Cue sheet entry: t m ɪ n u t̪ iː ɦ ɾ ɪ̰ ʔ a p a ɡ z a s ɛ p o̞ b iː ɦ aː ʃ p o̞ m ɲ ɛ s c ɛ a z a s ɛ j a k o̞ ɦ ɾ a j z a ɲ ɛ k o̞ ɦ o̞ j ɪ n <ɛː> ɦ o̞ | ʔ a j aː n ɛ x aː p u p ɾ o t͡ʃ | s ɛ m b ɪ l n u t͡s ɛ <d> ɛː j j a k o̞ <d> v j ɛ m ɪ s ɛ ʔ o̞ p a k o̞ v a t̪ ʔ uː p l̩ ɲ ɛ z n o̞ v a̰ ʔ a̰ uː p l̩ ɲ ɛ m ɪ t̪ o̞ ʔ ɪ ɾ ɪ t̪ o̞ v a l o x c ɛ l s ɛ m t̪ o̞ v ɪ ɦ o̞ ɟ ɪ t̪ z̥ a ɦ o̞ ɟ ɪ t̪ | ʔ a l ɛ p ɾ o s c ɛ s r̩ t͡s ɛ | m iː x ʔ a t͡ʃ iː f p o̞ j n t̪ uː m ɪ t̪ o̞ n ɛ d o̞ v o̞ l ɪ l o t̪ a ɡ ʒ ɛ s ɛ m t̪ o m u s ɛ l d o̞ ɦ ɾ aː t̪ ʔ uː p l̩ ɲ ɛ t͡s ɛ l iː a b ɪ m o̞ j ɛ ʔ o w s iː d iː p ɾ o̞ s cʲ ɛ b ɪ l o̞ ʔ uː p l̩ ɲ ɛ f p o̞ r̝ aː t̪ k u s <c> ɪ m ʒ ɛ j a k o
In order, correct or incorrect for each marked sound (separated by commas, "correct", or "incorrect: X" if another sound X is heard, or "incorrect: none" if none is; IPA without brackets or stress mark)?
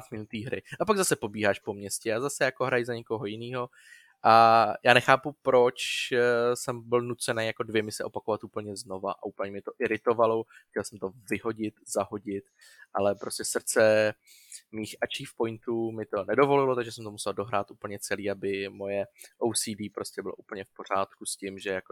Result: incorrect: iː, incorrect: n, correct, correct